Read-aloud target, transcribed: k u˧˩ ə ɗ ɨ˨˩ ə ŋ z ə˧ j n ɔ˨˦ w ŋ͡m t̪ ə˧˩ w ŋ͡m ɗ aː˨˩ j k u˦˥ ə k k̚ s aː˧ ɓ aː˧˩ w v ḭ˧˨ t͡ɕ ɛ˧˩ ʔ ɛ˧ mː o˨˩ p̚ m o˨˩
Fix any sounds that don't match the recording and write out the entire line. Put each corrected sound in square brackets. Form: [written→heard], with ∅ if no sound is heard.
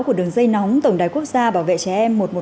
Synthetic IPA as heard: k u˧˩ ə ɗ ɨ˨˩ ə ŋ z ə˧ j n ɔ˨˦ w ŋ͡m t̪ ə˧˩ w ŋ͡m ɗ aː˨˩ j k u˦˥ ə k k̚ [s→z] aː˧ ɓ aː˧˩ w v [ḭ˧˨→ḛ˧˨] t͡ɕ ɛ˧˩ ʔ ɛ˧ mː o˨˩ [p̚→t̚] m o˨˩